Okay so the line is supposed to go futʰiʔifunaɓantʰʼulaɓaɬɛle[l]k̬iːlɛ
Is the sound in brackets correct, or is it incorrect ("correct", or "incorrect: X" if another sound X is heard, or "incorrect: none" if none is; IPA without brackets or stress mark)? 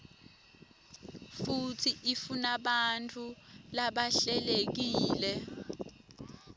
incorrect: none